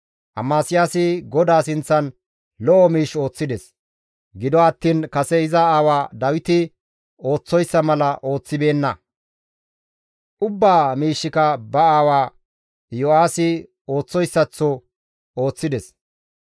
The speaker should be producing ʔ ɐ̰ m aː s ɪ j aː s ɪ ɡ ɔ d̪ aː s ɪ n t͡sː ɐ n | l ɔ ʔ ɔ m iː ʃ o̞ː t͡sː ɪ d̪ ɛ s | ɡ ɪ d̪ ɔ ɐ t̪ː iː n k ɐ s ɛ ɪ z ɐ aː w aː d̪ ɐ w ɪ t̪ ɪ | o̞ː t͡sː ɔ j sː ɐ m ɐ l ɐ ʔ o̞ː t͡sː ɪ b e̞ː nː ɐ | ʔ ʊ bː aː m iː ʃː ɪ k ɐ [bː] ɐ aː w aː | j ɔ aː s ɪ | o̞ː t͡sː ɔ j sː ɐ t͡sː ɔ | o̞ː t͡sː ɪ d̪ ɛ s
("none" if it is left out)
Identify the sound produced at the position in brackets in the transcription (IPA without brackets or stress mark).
b